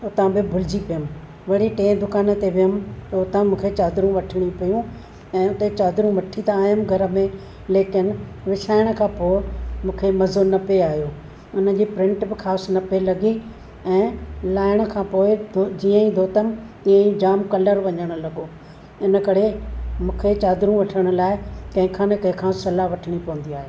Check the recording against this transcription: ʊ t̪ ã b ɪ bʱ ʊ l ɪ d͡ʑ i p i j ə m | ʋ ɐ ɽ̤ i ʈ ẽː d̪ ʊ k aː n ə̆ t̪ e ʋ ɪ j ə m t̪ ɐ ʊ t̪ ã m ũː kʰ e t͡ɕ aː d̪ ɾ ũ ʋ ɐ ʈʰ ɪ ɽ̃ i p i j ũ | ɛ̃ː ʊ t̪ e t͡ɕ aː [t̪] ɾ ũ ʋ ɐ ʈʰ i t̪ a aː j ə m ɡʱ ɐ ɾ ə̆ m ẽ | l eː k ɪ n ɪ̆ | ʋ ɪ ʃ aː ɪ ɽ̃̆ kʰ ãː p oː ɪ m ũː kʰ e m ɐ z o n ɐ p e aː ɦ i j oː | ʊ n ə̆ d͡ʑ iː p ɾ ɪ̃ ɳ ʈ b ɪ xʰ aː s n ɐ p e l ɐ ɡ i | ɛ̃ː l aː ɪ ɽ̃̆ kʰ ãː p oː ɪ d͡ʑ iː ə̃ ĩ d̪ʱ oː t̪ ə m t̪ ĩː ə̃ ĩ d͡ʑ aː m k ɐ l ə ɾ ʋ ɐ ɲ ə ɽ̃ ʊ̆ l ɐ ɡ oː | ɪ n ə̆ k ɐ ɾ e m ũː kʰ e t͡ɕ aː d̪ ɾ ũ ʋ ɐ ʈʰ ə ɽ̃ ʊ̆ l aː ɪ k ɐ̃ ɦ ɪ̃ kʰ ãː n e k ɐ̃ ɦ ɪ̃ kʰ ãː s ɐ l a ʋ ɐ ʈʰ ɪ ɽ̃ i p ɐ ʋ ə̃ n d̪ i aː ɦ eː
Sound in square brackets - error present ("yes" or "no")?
yes